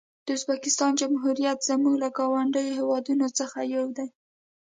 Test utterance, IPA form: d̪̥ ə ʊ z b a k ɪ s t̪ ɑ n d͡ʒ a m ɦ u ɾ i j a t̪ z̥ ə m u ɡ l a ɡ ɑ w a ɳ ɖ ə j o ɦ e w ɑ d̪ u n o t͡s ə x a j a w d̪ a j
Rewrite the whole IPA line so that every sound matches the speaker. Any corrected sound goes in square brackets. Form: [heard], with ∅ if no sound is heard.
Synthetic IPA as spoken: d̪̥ ə ʊ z b a k ɪ s t̪ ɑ n d͡ʒ a m ɦ u ɾ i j a t̪ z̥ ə m u ɡ l a ɡ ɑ w a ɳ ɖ ə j o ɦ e w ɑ d̪ u n o t͡s ə x a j a w d̪ a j